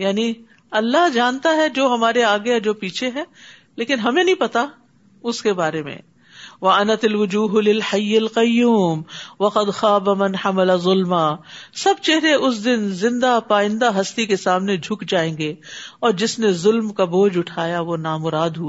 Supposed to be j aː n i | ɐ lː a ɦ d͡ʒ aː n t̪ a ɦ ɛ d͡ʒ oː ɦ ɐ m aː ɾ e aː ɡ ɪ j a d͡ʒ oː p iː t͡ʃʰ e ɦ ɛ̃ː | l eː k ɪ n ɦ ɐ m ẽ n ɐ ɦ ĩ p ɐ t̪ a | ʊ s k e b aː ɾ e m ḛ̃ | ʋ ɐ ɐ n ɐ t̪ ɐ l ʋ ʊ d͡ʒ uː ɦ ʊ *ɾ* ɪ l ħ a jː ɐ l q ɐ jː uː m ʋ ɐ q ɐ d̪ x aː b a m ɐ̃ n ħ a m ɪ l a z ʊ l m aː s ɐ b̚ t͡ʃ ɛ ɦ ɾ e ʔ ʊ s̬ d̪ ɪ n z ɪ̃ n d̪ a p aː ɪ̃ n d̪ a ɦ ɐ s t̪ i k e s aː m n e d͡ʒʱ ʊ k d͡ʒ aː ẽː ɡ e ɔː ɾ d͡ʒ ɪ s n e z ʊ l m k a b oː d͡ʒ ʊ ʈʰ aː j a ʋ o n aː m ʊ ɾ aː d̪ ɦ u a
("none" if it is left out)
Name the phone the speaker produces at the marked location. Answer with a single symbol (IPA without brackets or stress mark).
l